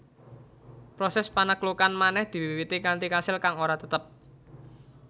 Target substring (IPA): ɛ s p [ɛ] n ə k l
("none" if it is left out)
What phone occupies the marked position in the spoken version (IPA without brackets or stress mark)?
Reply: a